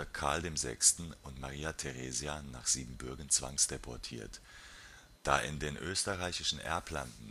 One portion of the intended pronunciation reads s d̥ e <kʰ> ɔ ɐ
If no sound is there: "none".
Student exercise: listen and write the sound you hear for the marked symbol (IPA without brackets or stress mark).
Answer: pʰ